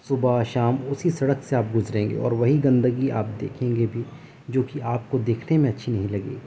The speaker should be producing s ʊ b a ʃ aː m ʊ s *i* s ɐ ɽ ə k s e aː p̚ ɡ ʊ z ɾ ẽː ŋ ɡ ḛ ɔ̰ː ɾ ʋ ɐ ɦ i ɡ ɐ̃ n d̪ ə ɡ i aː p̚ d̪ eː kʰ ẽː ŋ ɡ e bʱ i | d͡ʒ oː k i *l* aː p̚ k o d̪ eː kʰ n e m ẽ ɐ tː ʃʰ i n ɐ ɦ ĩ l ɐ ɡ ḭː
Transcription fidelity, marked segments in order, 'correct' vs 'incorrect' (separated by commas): correct, incorrect